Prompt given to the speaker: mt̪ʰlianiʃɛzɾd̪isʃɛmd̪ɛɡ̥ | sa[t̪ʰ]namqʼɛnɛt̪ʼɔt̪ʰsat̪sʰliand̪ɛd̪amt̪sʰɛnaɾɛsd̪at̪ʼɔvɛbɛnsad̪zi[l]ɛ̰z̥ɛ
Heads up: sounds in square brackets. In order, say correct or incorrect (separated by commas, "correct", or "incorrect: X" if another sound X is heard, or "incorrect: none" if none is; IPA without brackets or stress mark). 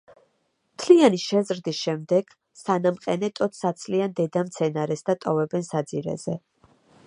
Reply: incorrect: none, incorrect: ɾ